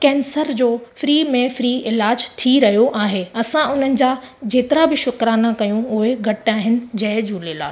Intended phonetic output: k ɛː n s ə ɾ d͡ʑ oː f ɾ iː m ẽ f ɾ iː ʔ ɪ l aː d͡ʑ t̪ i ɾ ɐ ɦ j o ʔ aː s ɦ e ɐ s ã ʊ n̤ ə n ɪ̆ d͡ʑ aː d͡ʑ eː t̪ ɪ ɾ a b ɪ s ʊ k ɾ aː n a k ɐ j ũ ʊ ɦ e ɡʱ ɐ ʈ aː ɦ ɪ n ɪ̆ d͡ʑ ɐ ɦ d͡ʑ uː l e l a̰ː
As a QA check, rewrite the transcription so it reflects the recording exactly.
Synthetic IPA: k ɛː n s ə ɾ d͡ʑ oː f ɾ iː m ẽ f ɾ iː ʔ ɪ l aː d͡ʑ t̪ʰ i ɾ ɐ ɦ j o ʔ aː ɦ e ɐ s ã ʊ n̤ ə n ɪ̆ d͡ʑ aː d͡ʑ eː t̪ ɪ ɾ a b ɪ ʃ ʊ k ɾ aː n a k ɐ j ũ ʊ ɦ e ɡʱ ɐ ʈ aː ɦ ɪ n ɪ̆ d͡ʑ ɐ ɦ d͡ʑ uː l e l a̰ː